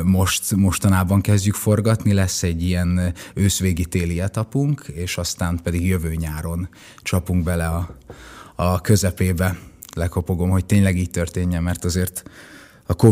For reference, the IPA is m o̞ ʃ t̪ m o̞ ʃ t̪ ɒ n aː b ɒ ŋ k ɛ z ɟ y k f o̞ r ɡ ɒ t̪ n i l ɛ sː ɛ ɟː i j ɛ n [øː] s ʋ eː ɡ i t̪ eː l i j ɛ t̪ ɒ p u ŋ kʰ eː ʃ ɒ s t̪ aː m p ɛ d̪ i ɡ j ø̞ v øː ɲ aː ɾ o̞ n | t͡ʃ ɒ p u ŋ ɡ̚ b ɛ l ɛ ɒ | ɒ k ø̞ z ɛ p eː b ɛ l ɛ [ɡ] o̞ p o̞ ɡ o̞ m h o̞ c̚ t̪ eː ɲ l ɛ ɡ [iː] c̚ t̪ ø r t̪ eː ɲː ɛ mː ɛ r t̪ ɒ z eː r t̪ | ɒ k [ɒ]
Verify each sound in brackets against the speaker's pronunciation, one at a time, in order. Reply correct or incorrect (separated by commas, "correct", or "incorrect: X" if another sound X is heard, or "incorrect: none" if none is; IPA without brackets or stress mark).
correct, incorrect: k, correct, incorrect: o